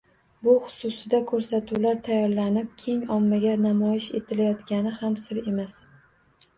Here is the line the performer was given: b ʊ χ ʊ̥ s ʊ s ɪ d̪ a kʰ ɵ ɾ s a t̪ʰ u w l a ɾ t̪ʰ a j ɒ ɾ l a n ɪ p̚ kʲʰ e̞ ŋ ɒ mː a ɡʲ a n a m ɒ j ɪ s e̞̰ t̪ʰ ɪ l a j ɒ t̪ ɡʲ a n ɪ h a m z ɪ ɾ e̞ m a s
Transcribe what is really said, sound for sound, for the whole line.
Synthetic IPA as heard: b ʊ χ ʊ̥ s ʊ s ɪ d̪ a kʰ ɵ ɾ s a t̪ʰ u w l a ɾ t̪ʰ a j ɒ ɾ l a n ɪ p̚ kʲʰ e̞ ŋ ɒ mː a ɡʲ a n a m ɒ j ɪ ʃ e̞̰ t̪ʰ ɪ l a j ɒ t̪ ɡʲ a n ɪ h a m s ɪ ɾ e̞ m a s